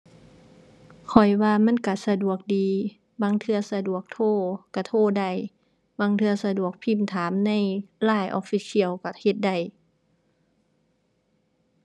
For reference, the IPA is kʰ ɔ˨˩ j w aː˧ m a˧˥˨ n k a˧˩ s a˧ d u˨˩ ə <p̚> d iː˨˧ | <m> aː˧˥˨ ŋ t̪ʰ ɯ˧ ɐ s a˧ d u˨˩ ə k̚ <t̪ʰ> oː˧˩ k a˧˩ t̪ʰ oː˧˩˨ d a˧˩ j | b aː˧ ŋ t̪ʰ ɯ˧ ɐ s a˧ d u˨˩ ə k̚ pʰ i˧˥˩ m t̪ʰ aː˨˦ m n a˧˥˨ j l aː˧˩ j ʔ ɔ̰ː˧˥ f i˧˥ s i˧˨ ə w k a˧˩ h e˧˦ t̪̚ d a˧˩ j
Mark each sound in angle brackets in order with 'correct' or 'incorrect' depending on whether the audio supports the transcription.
incorrect, incorrect, correct

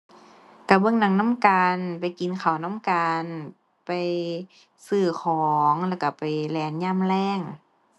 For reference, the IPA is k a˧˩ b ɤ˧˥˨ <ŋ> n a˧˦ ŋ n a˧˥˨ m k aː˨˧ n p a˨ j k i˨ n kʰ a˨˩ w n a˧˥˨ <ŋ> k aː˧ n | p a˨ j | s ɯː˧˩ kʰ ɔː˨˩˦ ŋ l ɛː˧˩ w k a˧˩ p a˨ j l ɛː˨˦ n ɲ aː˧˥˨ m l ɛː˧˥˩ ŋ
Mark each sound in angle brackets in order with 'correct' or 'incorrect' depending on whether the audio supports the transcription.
correct, incorrect

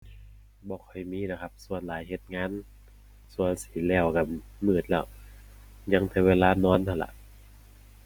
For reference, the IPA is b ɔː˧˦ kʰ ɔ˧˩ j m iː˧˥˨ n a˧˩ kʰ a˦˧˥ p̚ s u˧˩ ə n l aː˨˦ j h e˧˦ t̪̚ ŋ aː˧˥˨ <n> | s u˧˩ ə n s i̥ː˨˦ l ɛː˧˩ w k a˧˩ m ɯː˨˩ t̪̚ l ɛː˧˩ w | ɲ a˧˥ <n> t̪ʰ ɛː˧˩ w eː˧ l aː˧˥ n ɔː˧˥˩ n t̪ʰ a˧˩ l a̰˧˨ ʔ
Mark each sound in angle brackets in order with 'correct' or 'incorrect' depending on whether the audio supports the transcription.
correct, incorrect

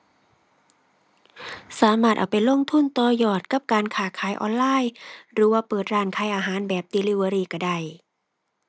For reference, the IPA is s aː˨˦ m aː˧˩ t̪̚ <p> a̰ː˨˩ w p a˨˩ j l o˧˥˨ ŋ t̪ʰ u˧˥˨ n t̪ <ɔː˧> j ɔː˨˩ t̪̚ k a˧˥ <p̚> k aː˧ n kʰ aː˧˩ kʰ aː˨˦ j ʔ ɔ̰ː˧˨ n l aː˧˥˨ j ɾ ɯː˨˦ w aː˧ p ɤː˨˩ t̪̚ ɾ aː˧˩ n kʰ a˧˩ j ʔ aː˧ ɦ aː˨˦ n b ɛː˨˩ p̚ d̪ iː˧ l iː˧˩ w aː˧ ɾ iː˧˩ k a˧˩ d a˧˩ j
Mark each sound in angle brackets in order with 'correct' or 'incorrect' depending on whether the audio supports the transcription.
incorrect, correct, correct

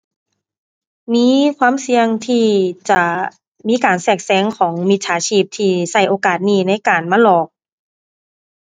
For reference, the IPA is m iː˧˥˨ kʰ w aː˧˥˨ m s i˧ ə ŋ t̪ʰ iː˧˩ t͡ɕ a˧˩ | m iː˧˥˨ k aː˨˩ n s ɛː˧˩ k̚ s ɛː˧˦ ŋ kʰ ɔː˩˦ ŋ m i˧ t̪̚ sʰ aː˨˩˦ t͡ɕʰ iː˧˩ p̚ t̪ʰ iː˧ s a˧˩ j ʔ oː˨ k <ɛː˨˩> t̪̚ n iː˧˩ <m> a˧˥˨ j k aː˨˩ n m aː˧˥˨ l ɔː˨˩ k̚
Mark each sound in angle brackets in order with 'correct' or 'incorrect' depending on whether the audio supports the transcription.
incorrect, incorrect

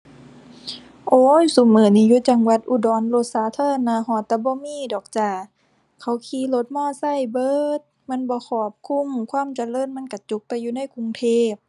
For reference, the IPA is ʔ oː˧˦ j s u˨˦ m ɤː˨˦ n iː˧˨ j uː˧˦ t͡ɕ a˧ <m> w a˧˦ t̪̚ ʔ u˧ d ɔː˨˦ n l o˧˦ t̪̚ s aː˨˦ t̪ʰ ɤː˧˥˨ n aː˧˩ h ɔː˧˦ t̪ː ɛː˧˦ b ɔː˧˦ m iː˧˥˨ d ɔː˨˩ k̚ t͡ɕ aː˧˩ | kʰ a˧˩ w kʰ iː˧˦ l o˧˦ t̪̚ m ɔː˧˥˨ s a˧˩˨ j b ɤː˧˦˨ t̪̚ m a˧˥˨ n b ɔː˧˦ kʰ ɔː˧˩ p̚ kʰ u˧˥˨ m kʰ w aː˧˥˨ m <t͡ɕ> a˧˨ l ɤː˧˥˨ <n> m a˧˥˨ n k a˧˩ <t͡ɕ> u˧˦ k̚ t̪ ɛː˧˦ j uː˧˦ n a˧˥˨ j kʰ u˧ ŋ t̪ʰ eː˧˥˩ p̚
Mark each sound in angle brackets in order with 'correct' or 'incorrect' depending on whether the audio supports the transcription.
incorrect, correct, correct, correct

